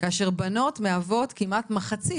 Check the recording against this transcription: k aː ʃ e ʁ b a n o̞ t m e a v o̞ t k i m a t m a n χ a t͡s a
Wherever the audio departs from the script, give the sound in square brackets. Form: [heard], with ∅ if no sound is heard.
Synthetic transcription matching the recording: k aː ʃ e ʁ b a n o̞ t m e a v o̞ t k i m a t m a [∅] χ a t͡s [i]